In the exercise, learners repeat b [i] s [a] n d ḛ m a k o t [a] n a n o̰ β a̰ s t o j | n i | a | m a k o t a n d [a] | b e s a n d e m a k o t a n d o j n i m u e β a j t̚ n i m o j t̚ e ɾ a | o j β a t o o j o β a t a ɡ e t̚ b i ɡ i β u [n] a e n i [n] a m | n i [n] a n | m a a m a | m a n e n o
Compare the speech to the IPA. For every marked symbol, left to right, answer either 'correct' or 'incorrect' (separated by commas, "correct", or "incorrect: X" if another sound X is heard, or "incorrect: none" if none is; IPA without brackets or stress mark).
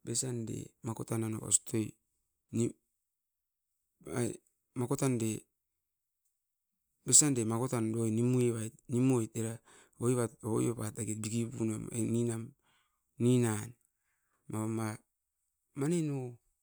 incorrect: e, correct, correct, incorrect: e, correct, correct, correct